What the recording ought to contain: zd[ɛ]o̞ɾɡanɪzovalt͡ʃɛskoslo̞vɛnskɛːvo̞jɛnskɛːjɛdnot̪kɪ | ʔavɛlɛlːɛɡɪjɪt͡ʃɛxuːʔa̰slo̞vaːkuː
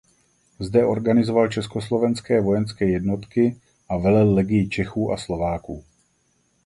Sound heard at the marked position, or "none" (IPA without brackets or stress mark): ɛ